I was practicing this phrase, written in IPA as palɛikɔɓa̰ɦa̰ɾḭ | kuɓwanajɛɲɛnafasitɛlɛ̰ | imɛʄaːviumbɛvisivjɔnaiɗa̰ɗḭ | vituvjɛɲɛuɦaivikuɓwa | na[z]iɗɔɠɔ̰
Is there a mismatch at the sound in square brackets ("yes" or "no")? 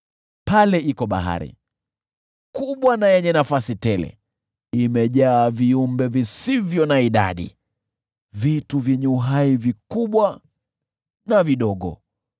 yes